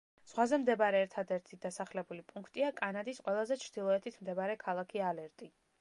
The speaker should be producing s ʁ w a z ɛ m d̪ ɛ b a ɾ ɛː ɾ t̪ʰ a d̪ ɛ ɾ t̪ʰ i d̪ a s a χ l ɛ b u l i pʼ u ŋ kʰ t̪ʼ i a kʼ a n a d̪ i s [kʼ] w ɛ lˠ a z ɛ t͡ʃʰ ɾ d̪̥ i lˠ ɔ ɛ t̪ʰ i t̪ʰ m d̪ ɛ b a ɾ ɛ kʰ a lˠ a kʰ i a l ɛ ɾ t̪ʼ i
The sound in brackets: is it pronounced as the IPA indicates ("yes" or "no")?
no